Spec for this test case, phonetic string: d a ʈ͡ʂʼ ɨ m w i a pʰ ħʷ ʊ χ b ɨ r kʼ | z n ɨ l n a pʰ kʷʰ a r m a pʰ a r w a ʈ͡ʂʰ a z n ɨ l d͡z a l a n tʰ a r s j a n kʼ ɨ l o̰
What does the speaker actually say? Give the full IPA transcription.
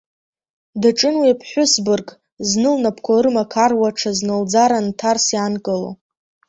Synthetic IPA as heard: d a ʈ͡ʂʼ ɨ n w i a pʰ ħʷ ʊ s b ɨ r kʼ | z n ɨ l n a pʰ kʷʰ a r m a kʰ a r w a ʈ͡ʂʰ a z n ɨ l d͡z a ɾ a n tʰ a r s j a n kʼ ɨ l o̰